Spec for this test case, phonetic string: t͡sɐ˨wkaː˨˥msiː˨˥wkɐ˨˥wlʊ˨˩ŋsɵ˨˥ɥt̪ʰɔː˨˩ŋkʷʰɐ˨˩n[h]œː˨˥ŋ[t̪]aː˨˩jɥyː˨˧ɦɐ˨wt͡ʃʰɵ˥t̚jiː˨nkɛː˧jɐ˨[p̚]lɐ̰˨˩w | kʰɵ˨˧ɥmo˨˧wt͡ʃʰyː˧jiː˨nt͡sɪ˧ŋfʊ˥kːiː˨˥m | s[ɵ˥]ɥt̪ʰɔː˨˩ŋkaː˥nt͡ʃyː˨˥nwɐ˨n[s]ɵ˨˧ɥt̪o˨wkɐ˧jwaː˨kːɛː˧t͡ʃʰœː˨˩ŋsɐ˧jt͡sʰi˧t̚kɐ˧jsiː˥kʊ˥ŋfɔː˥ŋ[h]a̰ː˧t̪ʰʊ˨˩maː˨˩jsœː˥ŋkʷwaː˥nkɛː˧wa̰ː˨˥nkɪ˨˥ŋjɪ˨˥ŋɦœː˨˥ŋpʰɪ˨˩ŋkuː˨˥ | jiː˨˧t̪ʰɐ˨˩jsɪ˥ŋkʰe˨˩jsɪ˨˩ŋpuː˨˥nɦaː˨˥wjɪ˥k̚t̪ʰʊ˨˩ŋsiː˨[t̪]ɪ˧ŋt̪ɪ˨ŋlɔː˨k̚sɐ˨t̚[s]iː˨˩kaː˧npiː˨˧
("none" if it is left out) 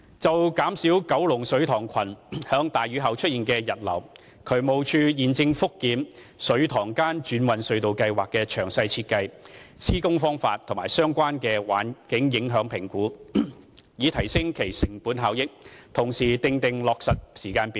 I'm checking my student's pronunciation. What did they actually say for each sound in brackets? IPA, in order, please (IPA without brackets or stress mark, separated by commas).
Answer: h, t̪, t̚, ɵ˨˧˥, s, f, t̪, s